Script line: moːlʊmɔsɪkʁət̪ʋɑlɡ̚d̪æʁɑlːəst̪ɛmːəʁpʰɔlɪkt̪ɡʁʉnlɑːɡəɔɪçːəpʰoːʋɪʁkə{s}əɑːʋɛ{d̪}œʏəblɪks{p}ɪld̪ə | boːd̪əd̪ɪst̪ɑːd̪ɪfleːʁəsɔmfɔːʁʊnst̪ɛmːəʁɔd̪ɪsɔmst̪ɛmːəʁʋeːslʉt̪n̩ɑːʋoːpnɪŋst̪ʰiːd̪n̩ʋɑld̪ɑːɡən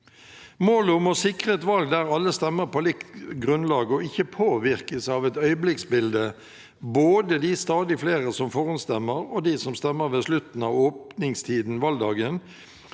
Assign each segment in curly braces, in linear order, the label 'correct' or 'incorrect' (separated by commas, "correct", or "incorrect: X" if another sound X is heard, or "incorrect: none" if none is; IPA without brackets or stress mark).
correct, incorrect: t̪, incorrect: b